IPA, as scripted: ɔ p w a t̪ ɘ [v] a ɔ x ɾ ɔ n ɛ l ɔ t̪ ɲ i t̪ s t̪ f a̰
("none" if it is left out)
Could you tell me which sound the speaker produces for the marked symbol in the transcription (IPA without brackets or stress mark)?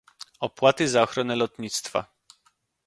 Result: z